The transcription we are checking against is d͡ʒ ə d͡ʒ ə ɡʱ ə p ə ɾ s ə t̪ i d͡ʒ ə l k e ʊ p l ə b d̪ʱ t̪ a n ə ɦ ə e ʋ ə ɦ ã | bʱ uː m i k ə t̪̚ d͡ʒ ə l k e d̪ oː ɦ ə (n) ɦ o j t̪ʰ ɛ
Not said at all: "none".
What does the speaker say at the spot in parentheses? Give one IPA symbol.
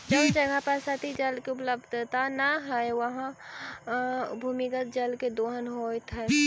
n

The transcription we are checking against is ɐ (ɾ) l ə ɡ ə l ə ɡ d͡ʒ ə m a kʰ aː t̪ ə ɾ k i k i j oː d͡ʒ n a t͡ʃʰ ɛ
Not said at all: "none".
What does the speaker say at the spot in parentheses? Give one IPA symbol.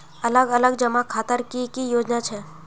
none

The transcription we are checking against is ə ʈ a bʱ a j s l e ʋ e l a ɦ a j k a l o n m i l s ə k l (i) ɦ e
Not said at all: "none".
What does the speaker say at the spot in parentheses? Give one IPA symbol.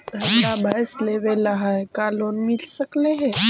e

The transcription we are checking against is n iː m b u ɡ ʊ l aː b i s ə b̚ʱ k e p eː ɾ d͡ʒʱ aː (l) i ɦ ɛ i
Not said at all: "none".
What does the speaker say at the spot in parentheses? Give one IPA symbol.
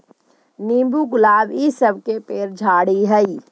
ɽ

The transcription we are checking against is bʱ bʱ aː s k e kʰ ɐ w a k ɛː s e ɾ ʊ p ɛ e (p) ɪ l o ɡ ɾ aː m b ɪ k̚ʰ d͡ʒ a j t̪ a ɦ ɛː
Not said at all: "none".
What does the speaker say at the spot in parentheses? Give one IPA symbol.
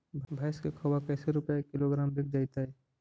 k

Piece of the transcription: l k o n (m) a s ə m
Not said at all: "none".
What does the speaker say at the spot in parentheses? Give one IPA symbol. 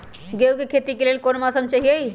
m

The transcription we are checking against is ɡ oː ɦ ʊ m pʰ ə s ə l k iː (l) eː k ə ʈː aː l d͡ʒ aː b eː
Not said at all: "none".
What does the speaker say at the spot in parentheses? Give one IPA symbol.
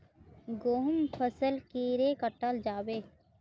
ɾ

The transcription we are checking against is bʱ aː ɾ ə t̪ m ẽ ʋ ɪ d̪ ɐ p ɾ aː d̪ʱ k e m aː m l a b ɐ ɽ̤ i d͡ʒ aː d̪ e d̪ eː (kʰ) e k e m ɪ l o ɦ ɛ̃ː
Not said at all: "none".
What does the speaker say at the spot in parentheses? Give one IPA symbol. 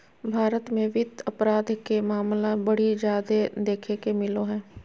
kʰ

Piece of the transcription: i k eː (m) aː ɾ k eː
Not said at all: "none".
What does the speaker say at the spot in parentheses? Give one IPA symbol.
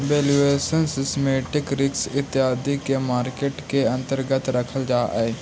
m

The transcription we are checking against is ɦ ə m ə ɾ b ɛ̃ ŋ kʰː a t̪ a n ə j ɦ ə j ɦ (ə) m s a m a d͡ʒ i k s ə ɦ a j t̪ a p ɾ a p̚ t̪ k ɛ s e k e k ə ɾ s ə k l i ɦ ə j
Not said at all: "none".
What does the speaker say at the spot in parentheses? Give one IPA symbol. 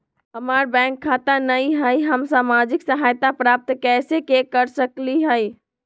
ə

